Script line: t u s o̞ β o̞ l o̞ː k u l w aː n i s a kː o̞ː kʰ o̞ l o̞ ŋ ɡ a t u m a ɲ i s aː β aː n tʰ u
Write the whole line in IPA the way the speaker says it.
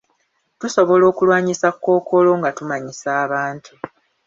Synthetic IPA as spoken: t u s o̞ β o̞ l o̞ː k u l w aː ɲ i s a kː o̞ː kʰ o̞ l o̞ ŋ ɡ a t u m a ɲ i s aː β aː n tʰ u

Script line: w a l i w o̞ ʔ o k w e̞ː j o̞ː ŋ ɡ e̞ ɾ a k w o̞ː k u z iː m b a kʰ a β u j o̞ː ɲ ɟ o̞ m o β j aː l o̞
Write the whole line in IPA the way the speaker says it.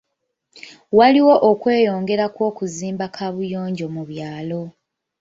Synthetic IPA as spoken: w a l i w o̞ ʔ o k w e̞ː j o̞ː ŋ ɡ e̞ ɾ a k w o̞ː k u z iː m b a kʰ a β u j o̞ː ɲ ɟ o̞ m u β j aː l o̞

